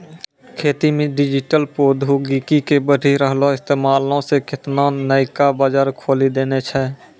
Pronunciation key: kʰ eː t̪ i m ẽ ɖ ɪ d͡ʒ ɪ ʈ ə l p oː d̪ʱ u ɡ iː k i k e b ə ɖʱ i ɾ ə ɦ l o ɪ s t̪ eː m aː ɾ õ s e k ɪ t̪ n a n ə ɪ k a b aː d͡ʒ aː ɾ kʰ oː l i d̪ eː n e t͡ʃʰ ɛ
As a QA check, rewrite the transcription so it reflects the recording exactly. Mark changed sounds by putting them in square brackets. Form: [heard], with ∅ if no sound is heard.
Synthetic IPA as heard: kʰ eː t̪ i m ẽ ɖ ɪ d͡ʒ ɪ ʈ ə l p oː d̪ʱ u ɡ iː k i k e b ə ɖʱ i ɾ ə ɦ l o ɪ s t̪ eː m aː [l] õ s e k ɪ t̪ n a n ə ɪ k a b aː d͡ʒ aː ɾ kʰ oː l i d̪ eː n e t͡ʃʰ ɛ